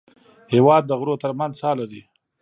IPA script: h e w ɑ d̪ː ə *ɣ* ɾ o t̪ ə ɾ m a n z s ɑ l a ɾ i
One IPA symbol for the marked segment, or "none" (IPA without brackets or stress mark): ɣ